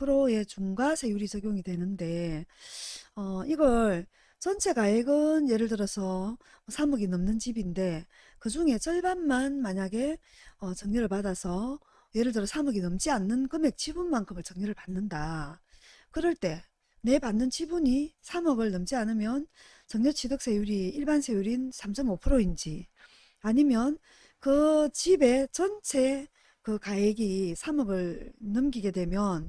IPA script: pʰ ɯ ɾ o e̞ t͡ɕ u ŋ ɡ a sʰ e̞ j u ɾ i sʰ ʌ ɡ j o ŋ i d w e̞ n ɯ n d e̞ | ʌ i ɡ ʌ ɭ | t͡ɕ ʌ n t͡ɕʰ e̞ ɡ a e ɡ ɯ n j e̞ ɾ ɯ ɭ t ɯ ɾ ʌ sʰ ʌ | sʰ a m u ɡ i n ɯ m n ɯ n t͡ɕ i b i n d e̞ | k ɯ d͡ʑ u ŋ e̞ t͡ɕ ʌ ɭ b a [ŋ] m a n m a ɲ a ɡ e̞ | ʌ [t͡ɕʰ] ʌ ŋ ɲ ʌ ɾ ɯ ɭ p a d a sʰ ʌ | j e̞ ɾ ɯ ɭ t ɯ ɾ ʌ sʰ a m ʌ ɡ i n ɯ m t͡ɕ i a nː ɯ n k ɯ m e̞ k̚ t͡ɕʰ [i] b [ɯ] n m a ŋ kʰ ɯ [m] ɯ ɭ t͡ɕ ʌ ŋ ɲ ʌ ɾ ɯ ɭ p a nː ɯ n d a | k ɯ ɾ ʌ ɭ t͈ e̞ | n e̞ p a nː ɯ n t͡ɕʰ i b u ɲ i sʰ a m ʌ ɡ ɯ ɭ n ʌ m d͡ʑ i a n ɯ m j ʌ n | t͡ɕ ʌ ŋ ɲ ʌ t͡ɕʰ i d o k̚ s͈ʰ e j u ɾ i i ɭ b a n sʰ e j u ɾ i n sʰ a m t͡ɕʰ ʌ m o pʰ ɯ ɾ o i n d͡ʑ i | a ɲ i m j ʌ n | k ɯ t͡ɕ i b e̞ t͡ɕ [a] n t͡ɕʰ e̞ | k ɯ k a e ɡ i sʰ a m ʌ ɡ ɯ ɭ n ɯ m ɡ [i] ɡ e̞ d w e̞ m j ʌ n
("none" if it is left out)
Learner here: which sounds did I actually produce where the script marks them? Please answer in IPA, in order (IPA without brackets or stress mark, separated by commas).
n, t͡ɕ, i, u, m, ʌ, i